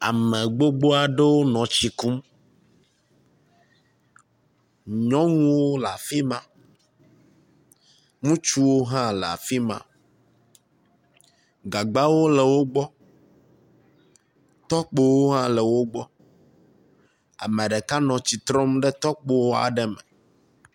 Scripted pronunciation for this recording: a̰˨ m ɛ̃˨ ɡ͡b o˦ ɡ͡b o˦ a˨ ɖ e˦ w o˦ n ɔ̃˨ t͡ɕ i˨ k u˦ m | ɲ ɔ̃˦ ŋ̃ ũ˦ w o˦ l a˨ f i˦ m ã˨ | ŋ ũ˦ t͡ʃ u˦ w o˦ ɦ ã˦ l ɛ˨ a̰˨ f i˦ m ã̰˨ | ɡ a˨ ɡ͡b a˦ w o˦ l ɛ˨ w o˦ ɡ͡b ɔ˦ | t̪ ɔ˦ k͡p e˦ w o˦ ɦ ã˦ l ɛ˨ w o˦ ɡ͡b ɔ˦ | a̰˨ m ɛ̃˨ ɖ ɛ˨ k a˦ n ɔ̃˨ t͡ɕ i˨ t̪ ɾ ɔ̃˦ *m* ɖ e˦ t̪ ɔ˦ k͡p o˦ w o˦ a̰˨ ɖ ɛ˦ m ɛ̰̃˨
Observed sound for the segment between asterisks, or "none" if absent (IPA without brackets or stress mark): m